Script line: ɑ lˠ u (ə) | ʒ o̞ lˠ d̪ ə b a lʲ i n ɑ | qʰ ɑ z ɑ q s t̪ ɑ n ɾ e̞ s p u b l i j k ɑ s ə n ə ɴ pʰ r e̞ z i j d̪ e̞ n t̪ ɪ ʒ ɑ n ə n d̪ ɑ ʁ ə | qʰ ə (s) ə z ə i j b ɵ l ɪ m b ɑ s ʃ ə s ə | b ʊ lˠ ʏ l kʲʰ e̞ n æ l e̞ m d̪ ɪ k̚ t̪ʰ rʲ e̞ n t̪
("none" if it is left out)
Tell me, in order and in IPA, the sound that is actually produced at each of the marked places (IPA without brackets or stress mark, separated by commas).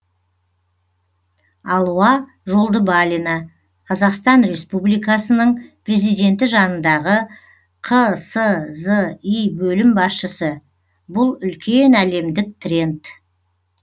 ɑ, s